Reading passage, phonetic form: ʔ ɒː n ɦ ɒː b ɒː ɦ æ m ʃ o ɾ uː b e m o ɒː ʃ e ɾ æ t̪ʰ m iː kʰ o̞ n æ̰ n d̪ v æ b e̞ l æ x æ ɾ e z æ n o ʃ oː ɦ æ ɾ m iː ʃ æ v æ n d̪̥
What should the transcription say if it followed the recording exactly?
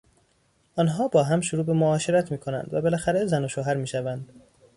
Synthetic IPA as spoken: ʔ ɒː n ɦ ɒː b ɒː ɦ æ m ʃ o ɾ uː b e m o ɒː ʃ e ɾ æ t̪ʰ m iː kʰ o̞ n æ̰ n d̪ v æ b e̞ l æ x æ ɾ e z æ n o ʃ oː ɦ æ ɾ m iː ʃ æ v æ n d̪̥